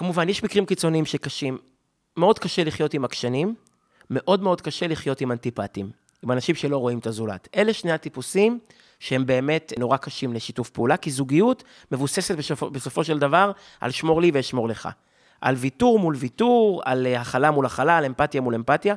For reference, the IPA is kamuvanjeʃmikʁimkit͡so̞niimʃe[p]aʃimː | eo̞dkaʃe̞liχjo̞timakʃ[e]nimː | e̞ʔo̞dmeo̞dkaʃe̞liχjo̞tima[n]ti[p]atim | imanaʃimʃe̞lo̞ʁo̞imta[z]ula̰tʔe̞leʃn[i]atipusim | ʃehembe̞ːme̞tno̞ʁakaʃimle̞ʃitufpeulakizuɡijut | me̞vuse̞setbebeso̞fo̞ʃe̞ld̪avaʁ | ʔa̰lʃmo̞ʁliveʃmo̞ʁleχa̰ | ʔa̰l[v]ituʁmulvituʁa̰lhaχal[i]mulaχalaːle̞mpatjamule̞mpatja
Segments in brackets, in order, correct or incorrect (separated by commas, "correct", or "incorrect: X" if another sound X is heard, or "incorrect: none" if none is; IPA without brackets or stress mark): incorrect: k, incorrect: a, correct, correct, correct, incorrect: e, correct, incorrect: a